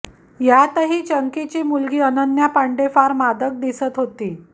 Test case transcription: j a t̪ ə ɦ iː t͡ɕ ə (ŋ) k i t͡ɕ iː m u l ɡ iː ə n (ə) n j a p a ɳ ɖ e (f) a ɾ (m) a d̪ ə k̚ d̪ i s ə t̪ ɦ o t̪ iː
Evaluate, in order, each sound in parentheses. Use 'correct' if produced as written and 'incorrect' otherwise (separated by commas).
correct, correct, correct, correct